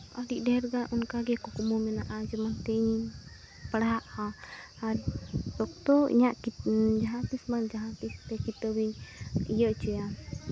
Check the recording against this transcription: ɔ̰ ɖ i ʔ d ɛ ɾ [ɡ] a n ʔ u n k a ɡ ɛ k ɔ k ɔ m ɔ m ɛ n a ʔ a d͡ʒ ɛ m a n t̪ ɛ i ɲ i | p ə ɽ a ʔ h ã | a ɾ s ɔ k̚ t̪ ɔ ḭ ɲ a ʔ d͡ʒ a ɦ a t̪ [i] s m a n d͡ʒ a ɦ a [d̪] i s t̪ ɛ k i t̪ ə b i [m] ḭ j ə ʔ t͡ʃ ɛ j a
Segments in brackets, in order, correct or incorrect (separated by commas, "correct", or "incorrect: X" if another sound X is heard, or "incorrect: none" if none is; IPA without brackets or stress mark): correct, correct, incorrect: t̪, incorrect: ɲ